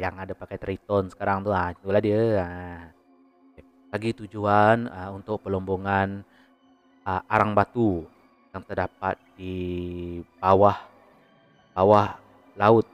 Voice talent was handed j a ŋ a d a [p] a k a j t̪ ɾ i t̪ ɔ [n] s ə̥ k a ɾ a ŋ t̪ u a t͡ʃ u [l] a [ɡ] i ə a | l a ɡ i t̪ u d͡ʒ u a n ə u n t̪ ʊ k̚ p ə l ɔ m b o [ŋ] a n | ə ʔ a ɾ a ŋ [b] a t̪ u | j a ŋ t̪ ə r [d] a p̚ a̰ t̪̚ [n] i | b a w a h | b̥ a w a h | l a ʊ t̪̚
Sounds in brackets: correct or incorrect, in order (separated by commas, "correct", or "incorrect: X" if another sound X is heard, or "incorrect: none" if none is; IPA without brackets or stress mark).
correct, correct, correct, incorrect: d, correct, correct, correct, incorrect: d